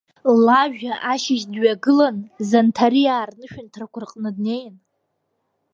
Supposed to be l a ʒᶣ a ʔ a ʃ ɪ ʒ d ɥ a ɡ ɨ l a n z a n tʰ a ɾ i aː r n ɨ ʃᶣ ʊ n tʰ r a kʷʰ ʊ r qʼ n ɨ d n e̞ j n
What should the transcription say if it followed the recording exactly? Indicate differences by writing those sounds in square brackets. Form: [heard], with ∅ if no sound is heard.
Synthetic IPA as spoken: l a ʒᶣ a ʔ a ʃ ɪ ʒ d ɥ a ɡ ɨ l a n z a n tʰ a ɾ i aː r n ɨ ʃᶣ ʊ n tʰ r a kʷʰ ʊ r qʼ n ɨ d n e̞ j n